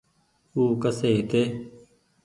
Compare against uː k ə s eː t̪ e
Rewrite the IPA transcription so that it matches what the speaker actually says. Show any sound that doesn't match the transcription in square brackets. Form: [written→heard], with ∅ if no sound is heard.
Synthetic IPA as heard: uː k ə s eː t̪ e